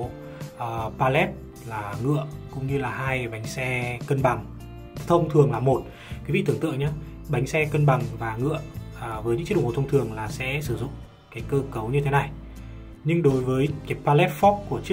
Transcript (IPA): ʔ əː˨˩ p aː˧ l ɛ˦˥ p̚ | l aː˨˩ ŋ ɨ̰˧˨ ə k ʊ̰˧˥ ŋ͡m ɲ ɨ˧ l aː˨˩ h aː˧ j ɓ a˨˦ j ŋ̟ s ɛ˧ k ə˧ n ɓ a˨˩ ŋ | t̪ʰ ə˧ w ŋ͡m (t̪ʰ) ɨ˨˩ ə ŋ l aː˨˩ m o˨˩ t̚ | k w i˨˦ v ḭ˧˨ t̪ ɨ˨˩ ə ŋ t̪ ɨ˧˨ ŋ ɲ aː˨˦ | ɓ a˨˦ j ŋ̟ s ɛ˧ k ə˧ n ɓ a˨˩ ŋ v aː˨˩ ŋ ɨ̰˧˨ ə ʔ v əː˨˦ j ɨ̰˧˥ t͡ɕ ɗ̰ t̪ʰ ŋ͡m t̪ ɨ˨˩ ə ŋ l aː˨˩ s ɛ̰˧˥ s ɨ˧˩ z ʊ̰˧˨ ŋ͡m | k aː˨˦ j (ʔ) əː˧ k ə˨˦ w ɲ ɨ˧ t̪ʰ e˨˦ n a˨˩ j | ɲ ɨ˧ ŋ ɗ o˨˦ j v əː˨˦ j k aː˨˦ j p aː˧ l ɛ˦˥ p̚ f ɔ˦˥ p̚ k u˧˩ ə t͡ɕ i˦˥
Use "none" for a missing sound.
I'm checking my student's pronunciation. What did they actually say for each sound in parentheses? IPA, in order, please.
t̪ʰ, k

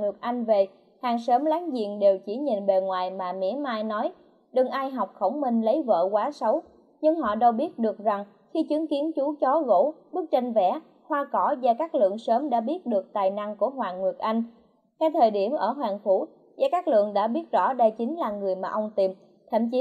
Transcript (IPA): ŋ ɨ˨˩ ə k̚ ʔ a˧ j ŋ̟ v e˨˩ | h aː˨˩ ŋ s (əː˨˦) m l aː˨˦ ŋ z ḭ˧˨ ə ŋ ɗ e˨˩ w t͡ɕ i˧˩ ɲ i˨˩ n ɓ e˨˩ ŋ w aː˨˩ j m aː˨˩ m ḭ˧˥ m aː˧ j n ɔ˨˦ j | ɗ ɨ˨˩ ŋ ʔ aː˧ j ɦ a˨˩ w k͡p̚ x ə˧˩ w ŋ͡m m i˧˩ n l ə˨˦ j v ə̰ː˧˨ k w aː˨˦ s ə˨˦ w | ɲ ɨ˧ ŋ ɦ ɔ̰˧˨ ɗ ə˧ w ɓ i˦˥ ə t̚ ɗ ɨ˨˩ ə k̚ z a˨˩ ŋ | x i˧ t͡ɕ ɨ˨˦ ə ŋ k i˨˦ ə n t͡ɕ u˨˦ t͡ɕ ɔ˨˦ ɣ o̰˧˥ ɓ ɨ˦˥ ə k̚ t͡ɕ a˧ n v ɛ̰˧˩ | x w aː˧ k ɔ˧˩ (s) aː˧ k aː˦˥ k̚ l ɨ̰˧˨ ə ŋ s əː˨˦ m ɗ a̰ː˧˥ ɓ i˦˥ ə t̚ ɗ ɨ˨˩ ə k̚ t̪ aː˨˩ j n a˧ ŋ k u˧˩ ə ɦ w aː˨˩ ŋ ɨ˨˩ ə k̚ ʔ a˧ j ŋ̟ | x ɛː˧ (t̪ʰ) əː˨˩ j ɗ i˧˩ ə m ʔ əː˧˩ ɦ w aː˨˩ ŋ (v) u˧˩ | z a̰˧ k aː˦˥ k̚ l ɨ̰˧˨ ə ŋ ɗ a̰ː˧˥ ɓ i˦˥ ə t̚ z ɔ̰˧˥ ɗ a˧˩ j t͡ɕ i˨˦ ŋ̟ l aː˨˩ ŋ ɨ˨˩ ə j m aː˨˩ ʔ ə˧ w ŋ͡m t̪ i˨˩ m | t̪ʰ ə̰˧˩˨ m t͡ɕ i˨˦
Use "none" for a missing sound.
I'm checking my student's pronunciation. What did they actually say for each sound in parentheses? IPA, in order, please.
əː˨˦, z, t̪ʰ, f

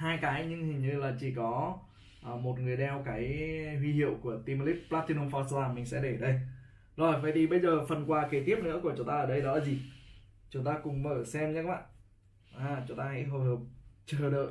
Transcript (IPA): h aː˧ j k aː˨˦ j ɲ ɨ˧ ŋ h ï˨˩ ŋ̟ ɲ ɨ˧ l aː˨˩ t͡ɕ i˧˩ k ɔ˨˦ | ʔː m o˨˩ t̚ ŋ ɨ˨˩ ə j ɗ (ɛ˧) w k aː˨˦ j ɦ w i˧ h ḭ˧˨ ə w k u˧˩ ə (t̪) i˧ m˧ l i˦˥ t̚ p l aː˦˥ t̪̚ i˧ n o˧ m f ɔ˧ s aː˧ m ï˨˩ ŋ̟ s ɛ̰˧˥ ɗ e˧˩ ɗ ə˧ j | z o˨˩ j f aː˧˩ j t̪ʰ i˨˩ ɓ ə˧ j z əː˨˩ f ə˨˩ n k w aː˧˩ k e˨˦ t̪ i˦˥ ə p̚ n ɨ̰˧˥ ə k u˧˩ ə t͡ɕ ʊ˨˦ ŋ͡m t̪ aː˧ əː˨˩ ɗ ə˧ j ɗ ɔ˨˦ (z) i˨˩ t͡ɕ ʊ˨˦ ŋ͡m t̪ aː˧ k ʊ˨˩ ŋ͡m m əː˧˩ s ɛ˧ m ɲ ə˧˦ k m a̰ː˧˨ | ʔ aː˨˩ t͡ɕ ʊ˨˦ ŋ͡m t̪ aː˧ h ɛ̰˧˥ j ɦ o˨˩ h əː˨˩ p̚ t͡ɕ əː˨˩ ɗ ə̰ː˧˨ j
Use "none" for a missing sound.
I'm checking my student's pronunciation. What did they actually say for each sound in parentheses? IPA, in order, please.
ɛ˧, t̪, z

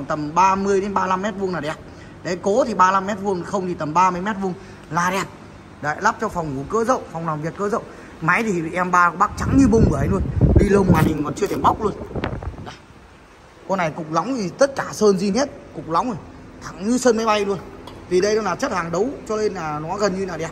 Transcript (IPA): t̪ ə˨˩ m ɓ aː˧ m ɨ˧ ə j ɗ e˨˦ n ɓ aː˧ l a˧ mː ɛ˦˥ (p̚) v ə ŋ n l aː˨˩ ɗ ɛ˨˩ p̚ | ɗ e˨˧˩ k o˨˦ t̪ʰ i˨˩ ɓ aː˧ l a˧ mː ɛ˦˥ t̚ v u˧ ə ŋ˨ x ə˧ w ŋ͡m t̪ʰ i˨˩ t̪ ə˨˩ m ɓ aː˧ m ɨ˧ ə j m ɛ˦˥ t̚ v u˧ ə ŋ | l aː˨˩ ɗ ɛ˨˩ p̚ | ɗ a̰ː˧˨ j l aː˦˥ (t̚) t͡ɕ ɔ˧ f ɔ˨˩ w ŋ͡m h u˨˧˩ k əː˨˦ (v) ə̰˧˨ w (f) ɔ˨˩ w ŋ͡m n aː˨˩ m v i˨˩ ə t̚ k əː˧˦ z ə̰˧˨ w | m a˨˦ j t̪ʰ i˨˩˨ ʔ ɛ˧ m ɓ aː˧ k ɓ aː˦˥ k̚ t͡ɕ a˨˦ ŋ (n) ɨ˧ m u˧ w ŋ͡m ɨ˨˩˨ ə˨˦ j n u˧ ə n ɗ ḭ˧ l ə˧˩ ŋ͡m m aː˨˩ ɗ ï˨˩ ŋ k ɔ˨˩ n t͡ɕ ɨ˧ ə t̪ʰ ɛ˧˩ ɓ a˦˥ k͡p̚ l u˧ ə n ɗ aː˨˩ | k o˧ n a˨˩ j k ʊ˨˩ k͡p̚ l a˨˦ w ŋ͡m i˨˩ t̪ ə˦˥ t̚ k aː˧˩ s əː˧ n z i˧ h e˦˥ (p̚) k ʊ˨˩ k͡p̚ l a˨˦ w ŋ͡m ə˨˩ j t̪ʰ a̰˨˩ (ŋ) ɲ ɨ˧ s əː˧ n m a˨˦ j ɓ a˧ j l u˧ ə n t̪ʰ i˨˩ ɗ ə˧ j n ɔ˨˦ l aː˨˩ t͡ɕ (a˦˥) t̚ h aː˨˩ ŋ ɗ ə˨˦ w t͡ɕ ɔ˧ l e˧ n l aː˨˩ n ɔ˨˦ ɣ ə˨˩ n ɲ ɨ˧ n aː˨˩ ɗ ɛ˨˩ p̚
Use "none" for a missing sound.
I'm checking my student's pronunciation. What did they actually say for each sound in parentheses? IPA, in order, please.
t̚, p̚, z, f, ɲ, t̚, ŋ, ə˦˥

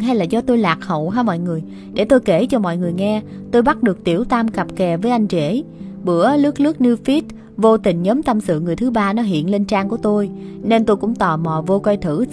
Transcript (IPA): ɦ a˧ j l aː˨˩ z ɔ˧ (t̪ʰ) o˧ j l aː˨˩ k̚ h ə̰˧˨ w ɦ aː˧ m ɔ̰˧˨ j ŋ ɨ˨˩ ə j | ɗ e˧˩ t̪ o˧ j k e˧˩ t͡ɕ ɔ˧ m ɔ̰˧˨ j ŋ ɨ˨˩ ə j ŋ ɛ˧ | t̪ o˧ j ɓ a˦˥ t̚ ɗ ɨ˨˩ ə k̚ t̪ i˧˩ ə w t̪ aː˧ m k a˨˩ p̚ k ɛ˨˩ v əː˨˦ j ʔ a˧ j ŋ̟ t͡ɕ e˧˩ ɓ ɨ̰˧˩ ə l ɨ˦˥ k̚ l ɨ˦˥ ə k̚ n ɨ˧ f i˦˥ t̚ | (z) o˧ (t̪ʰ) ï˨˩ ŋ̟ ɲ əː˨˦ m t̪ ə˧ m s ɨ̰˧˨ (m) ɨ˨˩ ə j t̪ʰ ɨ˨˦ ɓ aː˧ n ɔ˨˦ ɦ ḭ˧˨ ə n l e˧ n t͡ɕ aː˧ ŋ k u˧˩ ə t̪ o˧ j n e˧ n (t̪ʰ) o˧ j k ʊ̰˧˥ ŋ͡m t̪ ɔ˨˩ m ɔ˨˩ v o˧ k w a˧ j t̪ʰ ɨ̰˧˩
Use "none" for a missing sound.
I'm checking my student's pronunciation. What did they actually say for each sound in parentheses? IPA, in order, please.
t̪, v, t̪, ŋ, t̪

